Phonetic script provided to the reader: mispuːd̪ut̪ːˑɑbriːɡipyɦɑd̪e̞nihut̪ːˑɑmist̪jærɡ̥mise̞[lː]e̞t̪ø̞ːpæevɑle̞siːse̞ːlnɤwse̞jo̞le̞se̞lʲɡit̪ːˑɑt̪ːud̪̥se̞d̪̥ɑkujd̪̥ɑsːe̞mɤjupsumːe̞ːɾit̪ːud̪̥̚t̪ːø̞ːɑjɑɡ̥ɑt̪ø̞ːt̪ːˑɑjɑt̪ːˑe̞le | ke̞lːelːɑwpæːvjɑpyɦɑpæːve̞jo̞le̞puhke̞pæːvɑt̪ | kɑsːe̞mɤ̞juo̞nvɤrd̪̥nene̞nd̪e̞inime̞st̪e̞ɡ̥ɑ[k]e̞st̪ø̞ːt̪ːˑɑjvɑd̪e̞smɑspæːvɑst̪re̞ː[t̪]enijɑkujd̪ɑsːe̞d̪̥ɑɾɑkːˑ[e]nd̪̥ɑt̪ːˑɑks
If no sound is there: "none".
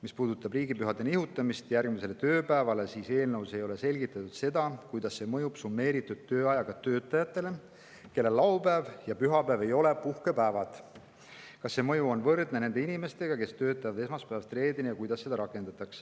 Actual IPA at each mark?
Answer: l, k, d̪, e

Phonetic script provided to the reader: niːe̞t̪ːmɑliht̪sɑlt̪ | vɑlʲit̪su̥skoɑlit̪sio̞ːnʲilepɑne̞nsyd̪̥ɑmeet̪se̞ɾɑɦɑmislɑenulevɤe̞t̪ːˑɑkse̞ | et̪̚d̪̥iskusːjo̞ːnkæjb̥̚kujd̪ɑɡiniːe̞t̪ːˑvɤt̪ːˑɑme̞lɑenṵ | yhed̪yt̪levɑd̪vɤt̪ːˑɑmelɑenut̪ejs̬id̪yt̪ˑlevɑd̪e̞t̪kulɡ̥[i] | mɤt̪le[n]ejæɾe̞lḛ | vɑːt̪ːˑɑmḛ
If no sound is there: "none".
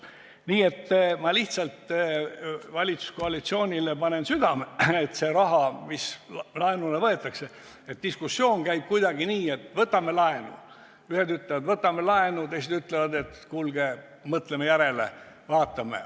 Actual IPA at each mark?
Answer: e, m

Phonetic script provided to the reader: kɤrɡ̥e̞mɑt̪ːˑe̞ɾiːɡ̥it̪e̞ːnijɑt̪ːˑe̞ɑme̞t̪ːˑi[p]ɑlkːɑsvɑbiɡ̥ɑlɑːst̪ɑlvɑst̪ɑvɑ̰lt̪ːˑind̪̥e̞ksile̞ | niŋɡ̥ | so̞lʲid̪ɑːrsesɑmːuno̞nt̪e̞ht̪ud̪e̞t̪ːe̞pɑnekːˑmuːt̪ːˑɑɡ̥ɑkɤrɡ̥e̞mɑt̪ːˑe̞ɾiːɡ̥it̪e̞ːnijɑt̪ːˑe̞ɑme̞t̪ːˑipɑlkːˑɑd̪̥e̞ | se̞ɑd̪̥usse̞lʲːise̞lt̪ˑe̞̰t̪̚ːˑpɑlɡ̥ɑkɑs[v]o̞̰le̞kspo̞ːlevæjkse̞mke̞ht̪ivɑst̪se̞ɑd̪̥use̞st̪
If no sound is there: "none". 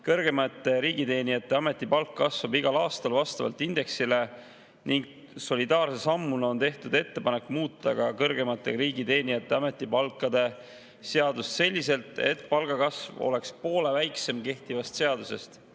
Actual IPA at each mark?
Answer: p, v

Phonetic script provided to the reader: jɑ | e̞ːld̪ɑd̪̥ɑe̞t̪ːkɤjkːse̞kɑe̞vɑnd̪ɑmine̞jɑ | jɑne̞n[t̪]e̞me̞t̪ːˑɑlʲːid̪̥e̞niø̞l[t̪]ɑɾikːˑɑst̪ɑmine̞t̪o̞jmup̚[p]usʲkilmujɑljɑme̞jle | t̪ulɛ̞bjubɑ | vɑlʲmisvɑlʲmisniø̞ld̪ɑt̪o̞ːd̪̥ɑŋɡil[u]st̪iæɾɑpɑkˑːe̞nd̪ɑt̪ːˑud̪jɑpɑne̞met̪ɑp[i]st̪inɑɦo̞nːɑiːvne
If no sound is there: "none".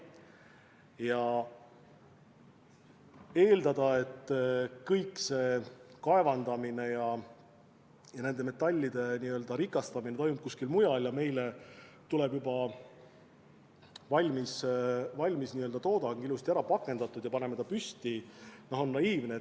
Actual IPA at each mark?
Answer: d̪, d̪, k, u, y

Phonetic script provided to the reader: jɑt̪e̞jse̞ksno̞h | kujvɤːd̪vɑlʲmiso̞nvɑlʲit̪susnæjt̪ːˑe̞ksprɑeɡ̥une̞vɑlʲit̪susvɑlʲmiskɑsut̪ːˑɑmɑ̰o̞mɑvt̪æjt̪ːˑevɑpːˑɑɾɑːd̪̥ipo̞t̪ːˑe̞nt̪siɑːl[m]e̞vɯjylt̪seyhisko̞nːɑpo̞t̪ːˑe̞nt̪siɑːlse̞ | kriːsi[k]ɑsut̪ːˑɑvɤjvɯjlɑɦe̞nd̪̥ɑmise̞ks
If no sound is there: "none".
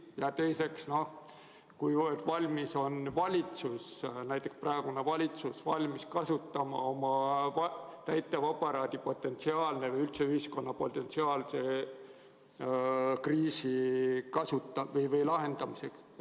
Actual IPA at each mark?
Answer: n, k

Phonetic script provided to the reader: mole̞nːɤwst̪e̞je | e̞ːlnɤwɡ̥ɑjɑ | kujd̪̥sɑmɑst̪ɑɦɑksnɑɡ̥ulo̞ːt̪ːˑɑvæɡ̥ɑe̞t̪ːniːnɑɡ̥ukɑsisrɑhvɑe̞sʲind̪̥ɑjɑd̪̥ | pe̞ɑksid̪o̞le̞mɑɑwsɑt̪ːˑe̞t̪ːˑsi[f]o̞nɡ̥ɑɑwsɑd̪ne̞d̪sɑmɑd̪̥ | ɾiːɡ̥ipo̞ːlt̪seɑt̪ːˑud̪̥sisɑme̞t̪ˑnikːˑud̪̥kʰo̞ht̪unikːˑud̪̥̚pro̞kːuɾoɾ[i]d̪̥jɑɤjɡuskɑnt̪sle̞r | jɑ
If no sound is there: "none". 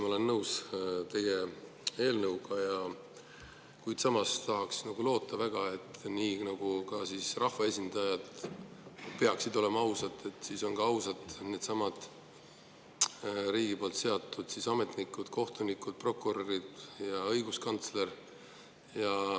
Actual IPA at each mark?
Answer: s, i

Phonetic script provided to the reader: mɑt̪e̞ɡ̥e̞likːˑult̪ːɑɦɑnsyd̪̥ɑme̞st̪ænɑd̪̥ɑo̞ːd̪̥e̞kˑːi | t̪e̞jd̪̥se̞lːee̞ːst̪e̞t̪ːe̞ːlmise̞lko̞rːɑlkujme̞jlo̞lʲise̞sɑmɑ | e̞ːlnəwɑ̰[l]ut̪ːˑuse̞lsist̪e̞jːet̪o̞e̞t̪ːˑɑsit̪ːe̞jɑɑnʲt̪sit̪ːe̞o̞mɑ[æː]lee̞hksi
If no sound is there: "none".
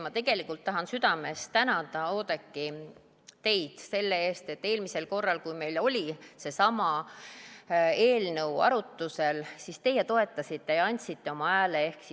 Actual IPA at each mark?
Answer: ɾ, æː

